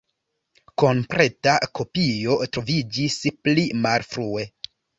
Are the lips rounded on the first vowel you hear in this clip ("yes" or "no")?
yes